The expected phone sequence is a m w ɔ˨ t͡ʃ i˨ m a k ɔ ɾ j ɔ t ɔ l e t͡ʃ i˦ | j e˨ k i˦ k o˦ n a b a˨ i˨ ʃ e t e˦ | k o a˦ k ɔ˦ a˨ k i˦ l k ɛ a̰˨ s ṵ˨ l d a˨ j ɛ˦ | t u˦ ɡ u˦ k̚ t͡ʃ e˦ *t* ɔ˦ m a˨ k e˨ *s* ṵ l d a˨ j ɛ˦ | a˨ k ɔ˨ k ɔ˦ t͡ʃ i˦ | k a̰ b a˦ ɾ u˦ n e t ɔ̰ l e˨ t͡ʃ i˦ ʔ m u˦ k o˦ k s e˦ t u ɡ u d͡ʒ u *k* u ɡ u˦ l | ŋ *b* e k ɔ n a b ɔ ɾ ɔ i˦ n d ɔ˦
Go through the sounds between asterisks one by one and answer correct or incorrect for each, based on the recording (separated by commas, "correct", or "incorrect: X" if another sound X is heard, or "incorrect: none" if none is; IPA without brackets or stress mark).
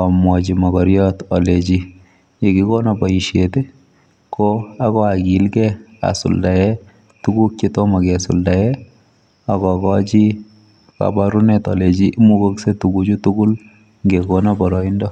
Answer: correct, correct, incorrect: t, incorrect: ɡ